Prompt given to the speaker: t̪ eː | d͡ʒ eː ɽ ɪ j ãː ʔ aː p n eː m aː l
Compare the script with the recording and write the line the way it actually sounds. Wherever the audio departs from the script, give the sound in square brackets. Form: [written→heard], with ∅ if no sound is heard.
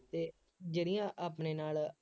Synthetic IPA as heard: t̪ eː | d͡ʒ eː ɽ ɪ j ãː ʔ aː p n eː [m→n] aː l